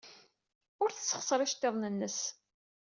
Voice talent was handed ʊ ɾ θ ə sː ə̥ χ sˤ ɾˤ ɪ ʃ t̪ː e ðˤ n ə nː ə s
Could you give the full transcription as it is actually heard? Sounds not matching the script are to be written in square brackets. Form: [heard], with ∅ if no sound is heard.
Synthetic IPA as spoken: ʊ ɾ θ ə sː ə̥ χ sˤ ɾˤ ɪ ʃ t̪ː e ðˤ n ə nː ə s